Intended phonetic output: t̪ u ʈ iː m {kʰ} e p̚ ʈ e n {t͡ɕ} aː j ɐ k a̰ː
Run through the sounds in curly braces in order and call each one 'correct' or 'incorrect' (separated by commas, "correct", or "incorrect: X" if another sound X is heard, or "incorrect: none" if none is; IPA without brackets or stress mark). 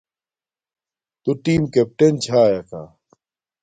incorrect: k, incorrect: t͡ɕʰ